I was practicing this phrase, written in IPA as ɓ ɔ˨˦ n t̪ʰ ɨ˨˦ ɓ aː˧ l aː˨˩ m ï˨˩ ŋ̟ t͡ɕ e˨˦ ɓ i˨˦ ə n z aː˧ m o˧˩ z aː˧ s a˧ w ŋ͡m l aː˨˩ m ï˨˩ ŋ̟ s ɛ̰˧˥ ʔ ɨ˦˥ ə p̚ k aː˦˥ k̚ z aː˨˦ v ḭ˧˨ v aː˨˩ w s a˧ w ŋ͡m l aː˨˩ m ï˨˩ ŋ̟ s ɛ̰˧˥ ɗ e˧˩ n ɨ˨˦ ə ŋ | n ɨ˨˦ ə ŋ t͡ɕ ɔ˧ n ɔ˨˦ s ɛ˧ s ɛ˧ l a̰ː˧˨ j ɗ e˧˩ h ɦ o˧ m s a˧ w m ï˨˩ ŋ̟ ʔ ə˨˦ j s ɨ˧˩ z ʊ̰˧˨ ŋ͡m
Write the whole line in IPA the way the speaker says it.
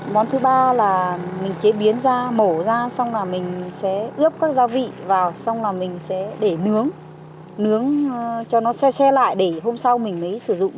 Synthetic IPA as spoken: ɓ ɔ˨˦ n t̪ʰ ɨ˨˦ ɓ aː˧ l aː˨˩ m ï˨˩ ŋ̟ t͡ɕ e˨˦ ɓ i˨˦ ə n z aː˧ m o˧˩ z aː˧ s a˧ w ŋ͡m l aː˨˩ m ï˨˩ ŋ̟ s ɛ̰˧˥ ʔ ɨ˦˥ ə p̚ k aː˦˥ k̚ z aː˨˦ v ḭ˧˨ v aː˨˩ w s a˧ w ŋ͡m l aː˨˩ m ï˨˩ ŋ̟ s ɛ̰˧˥ ɗ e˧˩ n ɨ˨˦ ə ŋ | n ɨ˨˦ ə ŋ t͡ɕ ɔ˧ n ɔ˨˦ s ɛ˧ s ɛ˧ l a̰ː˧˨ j ɗ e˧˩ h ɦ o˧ m s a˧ w m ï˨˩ ŋ̟ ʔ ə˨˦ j s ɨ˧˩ z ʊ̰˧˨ ŋ͡m